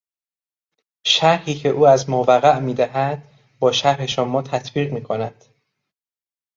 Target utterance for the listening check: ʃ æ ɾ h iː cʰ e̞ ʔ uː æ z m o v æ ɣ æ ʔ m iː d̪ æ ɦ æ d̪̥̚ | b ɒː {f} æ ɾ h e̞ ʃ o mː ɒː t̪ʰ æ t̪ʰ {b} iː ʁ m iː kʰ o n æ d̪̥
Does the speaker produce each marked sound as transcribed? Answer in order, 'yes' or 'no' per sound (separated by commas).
no, yes